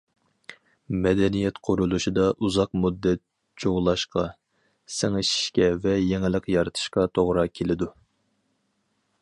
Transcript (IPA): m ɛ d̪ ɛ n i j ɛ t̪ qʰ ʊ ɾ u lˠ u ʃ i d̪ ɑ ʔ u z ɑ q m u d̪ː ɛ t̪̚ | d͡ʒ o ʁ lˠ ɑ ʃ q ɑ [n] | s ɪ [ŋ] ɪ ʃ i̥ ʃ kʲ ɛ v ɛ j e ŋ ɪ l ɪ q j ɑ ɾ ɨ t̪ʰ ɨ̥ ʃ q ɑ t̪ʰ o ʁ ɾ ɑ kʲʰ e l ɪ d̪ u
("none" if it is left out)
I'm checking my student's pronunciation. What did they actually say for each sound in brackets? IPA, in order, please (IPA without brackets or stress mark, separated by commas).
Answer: none, ŋ